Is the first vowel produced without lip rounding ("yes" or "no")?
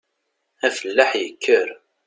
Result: yes